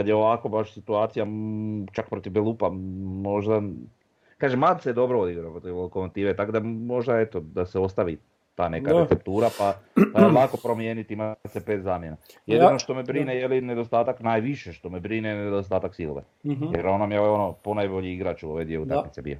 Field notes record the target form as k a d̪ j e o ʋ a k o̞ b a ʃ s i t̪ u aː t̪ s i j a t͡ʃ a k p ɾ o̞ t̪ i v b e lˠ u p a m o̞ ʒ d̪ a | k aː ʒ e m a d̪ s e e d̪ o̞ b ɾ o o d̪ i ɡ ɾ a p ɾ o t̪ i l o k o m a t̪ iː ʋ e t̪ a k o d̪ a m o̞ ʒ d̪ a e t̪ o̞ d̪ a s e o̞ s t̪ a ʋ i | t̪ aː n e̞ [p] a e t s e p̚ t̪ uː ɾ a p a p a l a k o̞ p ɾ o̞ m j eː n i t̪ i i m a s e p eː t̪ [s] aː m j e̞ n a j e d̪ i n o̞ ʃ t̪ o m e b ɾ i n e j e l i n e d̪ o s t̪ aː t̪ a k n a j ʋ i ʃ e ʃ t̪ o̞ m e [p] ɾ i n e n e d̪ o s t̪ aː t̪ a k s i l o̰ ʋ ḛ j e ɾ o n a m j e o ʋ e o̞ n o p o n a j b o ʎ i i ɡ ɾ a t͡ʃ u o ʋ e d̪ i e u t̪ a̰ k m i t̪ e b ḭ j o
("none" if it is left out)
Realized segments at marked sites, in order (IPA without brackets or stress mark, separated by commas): k, z, b